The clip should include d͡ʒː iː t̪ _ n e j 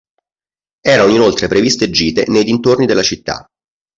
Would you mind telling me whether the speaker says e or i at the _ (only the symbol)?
e